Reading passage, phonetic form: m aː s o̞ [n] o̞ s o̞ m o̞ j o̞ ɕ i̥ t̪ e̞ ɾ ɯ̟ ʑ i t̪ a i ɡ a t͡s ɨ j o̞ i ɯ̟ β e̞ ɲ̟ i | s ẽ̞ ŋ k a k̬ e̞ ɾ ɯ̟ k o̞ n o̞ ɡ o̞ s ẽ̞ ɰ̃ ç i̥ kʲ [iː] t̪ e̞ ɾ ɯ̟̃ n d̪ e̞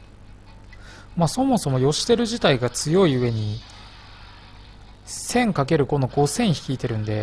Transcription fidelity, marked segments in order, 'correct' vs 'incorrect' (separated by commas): incorrect, correct